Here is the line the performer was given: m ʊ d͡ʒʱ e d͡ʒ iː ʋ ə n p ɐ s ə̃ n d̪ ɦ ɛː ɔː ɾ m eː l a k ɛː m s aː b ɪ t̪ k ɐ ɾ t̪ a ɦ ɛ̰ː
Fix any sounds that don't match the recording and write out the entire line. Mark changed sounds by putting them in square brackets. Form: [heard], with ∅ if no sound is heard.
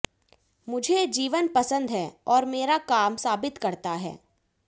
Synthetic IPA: m ʊ d͡ʒʱ e d͡ʒ iː ʋ ə n p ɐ s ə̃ n d̪ ɦ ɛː ɔː ɾ m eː [ɾ] a k [aː] m s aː b ɪ t̪ k ɐ ɾ t̪ a ɦ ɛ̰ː